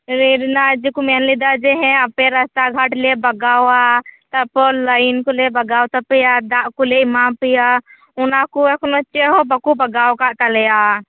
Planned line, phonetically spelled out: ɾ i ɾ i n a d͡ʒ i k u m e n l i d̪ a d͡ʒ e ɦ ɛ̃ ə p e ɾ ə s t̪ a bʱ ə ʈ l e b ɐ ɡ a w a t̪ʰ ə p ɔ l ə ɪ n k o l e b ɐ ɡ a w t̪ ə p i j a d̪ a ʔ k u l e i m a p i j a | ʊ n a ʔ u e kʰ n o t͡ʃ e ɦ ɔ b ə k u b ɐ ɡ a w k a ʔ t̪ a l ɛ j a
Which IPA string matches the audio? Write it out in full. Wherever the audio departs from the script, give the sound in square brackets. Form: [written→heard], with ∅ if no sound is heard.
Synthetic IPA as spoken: ɾ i ɾ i n a d͡ʒ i k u m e n l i d̪ a d͡ʒ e ɦ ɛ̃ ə p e ɾ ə s t̪ a [bʱ→ɡʱ] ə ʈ l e b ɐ ɡ a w a [t̪ʰ→t̪] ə p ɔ l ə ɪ n k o l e b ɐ ɡ a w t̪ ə p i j a d̪ a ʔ k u l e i m a p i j a | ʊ n a [ʔ→k] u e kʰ n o t͡ʃ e ɦ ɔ b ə k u b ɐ ɡ a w k a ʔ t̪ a l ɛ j a